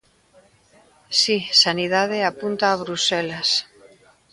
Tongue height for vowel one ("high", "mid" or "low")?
high